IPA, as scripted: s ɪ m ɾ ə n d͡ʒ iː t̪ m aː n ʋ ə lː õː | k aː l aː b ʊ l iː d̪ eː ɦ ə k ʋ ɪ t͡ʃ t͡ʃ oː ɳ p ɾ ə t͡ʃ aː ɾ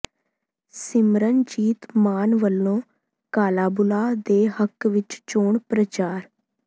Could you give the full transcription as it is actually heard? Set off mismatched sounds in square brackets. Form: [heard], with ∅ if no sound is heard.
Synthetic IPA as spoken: s ɪ m ɾ ə n d͡ʒ iː t̪ m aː n ʋ ə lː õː | k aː l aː b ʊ l [aː] d̪ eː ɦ ə k ʋ ɪ t͡ʃ t͡ʃ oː ɳ p ɾ ə t͡ʃ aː ɾ